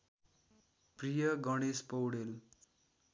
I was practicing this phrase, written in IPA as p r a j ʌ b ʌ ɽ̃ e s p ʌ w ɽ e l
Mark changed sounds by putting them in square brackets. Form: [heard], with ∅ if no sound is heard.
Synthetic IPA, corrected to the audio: p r [i] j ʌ [ɡ] ʌ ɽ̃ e s p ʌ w ɽ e l